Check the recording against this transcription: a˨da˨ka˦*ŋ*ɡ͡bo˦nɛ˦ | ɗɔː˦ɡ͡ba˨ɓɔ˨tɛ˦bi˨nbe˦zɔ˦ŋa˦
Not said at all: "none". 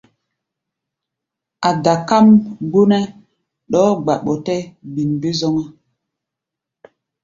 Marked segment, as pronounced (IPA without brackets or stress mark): m